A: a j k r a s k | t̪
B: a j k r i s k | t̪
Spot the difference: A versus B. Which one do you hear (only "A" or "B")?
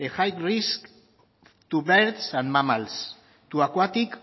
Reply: B